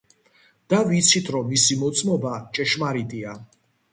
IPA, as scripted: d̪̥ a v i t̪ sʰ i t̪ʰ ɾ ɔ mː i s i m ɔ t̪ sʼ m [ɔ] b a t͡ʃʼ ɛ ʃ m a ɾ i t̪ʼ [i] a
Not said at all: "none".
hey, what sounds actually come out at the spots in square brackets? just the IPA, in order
ɔ, i

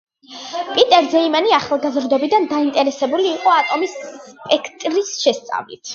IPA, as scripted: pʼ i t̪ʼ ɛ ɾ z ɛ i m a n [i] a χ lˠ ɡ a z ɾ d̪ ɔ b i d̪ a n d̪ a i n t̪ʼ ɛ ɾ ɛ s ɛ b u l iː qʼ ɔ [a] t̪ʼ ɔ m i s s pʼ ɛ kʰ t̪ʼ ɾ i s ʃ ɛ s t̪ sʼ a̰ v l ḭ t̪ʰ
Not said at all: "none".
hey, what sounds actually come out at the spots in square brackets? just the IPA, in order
i, a

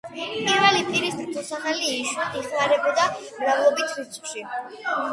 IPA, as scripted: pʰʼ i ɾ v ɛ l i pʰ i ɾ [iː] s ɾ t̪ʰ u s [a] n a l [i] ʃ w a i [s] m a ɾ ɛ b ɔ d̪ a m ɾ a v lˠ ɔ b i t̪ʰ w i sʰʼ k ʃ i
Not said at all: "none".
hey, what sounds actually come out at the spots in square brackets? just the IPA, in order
i, a, iː, χ

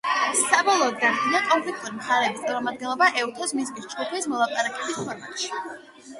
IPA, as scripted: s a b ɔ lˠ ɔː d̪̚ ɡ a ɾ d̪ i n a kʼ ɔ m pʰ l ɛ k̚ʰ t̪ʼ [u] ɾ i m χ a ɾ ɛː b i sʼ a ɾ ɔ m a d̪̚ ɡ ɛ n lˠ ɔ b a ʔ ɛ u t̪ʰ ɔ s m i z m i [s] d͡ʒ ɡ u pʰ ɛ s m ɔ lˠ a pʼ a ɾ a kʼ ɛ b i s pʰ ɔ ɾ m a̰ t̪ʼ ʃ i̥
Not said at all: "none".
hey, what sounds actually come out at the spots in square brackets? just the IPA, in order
u, s

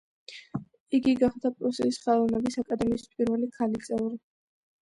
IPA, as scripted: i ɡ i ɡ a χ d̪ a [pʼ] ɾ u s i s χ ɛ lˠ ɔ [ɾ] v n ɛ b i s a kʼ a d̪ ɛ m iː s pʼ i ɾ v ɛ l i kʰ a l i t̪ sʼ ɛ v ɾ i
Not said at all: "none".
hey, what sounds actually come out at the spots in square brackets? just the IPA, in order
pʼ, none

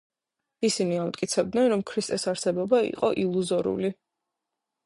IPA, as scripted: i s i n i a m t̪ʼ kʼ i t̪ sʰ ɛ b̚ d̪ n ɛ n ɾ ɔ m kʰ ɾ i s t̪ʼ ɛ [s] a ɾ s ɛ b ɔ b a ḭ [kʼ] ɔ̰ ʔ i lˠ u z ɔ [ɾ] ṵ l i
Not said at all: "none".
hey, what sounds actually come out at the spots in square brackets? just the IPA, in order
s, qʼ, ɾ

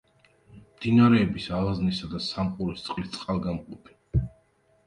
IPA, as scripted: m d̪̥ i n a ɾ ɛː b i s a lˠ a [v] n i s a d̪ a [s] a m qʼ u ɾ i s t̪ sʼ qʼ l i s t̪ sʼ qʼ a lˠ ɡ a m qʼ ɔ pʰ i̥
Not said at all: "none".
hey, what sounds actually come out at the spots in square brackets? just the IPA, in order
z, s

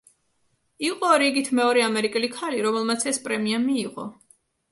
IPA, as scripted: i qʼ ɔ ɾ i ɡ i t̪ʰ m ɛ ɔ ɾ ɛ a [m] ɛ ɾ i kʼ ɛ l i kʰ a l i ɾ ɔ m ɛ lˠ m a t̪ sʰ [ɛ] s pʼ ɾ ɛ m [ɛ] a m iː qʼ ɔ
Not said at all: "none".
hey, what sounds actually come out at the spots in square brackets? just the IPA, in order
m, ɛ, i

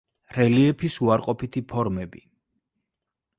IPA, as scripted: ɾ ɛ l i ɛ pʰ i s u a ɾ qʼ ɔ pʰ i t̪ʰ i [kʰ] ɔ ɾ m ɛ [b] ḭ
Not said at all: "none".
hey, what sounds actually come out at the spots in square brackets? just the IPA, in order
pʰ, b

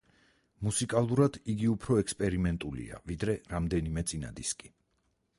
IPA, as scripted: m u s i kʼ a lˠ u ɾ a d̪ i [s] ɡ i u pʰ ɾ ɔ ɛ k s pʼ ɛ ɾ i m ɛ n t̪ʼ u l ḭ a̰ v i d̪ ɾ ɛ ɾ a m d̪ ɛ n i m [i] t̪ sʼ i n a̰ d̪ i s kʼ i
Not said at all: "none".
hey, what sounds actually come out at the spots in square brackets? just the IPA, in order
none, ɛ

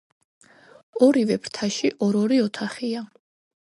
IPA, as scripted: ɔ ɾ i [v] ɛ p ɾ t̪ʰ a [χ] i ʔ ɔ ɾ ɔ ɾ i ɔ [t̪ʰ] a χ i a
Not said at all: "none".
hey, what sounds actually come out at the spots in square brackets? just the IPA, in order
v, ʃ, t̪ʰ

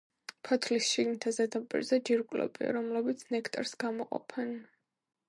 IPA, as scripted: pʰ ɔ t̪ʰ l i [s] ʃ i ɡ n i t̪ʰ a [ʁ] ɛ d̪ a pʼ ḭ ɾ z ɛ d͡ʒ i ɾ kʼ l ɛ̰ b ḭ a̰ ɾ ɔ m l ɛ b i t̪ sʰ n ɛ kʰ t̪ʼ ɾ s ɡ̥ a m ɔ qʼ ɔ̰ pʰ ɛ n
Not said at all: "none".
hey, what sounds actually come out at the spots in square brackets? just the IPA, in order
s, z

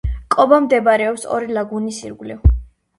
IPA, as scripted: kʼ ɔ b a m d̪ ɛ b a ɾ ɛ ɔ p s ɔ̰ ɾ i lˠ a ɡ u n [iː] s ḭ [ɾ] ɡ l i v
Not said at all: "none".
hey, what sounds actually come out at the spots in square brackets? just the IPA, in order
i, ɾ

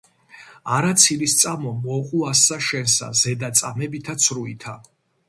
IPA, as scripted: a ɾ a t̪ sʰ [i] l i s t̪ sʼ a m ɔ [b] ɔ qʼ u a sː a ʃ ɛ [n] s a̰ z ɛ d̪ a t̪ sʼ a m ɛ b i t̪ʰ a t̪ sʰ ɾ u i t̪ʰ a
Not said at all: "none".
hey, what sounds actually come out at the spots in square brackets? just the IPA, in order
i, m, n

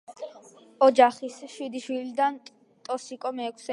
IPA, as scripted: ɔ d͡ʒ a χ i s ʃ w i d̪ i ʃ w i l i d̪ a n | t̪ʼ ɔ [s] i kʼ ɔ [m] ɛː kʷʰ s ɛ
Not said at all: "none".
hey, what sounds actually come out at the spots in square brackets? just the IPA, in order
s, m

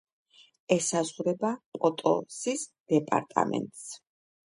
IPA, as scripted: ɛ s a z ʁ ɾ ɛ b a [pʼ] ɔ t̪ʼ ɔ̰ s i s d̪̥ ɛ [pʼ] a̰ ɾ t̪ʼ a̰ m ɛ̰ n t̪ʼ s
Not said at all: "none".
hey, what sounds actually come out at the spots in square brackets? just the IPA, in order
pʼ, pʼ

